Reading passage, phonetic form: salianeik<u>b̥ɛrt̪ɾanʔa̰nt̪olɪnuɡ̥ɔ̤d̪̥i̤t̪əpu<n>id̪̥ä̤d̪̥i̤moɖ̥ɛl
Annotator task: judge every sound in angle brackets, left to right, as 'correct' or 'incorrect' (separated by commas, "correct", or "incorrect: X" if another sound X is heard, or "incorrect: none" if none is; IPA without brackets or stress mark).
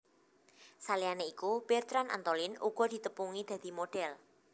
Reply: correct, incorrect: ŋ